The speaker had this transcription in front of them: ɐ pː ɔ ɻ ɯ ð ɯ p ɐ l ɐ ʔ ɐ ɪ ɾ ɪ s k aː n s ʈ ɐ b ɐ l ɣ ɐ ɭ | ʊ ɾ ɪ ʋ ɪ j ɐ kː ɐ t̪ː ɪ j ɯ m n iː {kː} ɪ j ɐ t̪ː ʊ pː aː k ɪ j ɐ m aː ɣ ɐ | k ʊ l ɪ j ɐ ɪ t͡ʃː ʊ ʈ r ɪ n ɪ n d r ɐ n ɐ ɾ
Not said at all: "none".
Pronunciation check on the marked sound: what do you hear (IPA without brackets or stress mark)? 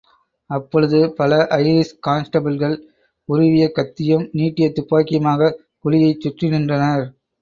ʈː